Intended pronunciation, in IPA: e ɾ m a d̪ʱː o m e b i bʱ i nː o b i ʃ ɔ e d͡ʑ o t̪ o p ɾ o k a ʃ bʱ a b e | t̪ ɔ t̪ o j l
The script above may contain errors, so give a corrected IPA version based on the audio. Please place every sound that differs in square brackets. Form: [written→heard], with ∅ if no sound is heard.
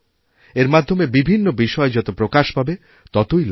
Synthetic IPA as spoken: e ɾ m a d̪ʱː o m e b i bʱ i nː o b i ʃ ɔ e d͡ʑ [o→ɔ] t̪ o p ɾ o k a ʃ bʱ a b e | t̪ ɔ t̪ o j l